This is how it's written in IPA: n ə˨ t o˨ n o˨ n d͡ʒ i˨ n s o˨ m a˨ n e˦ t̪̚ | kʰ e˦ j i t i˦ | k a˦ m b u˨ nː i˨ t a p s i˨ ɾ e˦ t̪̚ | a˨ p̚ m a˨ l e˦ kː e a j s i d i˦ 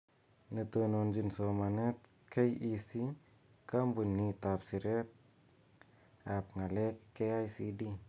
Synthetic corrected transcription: n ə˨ t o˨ n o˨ n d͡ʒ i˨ n s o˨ m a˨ n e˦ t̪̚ | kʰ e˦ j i s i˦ | k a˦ m b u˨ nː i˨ t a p s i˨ ɾ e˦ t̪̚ | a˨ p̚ ŋ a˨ l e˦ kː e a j s i d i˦